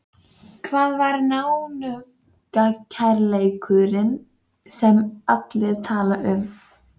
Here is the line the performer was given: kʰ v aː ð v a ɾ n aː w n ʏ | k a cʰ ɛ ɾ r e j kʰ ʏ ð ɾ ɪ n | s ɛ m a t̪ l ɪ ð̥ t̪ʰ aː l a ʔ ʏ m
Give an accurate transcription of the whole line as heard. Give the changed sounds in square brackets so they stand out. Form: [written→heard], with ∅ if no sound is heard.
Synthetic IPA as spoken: kʰ v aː ð v a ɾ n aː w n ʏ | k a cʰ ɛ ɾ [r→l] e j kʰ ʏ ð ɾ ɪ n | s ɛ m a t̪ l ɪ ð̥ t̪ʰ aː l a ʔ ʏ m